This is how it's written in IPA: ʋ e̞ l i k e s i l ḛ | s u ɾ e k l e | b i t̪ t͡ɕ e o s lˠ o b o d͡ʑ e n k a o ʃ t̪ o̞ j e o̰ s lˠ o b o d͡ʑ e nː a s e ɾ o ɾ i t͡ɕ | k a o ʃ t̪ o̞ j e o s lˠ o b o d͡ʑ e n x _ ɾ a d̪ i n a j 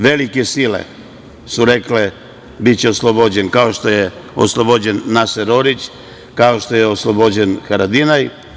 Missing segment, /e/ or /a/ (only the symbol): a